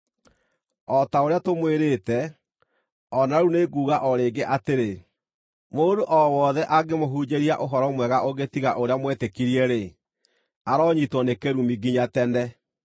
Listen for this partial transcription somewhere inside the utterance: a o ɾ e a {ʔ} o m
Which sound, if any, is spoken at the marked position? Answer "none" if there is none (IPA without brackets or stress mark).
t